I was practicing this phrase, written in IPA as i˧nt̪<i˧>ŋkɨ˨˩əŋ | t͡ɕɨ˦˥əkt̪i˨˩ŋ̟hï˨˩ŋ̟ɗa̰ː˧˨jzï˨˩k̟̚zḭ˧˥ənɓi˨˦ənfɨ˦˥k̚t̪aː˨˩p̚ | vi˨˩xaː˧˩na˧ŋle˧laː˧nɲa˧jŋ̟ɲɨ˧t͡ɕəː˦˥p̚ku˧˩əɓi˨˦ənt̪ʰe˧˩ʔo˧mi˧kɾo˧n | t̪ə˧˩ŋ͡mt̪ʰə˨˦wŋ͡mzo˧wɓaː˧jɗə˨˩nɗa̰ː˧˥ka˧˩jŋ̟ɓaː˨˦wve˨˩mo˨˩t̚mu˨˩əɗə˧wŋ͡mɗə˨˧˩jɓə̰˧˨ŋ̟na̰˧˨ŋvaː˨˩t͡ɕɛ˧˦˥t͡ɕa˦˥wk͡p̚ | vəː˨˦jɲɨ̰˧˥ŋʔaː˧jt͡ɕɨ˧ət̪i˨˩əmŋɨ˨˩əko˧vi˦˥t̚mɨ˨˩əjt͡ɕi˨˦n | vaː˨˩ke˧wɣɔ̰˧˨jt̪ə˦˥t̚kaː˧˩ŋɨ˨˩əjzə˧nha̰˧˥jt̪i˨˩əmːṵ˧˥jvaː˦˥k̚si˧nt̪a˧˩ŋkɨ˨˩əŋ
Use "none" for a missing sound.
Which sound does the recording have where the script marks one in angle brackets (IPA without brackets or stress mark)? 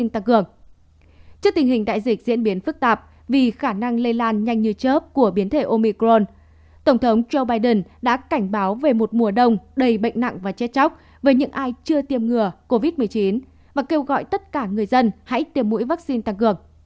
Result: a˧